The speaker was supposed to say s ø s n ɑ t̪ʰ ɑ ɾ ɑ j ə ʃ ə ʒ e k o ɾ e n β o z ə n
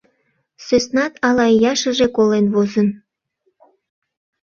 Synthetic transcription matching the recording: s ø s n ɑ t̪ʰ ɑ l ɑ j ɑ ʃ ə ʒ e k o l e n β o z ə n